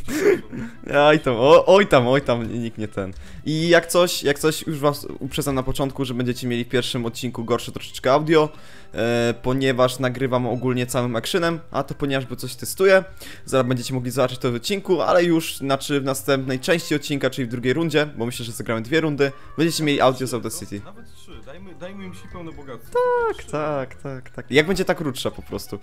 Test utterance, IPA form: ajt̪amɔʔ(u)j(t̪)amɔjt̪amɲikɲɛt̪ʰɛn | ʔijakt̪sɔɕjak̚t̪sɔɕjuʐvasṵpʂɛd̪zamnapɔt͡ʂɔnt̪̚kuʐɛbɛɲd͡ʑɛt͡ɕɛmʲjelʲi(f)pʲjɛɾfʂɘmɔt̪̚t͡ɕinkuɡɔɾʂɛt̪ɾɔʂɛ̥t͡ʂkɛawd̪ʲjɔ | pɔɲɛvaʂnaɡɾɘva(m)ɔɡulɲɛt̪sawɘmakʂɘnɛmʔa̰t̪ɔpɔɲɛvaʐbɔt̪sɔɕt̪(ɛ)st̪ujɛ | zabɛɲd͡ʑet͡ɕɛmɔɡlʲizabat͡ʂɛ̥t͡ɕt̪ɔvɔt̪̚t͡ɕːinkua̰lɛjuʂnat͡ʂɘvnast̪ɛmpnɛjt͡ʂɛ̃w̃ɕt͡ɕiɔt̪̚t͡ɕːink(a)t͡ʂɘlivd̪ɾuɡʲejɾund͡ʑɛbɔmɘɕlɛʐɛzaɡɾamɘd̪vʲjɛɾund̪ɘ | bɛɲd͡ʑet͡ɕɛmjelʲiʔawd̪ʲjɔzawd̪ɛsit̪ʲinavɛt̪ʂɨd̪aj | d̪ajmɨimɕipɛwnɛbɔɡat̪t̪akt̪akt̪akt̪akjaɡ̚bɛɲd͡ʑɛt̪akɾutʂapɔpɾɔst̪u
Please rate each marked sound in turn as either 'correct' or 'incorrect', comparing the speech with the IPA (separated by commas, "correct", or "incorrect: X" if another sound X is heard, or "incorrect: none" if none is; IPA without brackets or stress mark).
incorrect: ɔ, correct, correct, correct, correct, correct